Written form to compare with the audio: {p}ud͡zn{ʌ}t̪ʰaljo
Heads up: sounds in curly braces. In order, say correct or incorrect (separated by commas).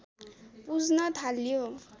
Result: correct, correct